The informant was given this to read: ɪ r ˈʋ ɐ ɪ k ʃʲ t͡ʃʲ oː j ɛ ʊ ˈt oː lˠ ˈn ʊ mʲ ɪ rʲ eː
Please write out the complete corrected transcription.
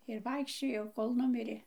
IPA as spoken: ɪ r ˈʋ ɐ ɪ k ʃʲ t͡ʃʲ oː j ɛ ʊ ˈk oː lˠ ˈn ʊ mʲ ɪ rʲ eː